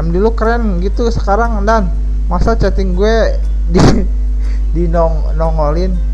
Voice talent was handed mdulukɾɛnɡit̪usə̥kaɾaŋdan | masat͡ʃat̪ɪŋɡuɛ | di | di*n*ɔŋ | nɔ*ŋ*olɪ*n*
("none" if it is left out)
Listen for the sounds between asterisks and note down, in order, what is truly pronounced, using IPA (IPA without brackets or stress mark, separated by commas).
n, ŋ, n